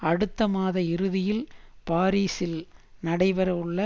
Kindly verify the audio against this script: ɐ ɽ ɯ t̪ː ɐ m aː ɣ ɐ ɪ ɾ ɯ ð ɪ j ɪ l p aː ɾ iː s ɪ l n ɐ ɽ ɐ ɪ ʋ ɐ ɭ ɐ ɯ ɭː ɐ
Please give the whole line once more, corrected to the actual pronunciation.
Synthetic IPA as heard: ɐ ɽ ɯ t̪ː ɐ m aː ð ɐ ɪ ɾ ɯ ð ɪ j ɪ l p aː ɾ iː s ɪ l n ɐ ɽ ɐ ɪ ʋ ɐ ɾ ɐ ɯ ɭː ɐ